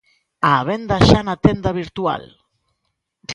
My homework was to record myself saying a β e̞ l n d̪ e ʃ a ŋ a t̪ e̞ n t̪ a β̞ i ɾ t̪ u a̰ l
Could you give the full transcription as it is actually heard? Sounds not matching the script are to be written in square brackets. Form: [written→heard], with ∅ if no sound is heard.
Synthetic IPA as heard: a β e̞ [l→∅] n d̪ [e→a] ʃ a [ŋ→n] a t̪ e̞ n [t̪→d̪] a β̞ i ɾ t̪ u a̰ l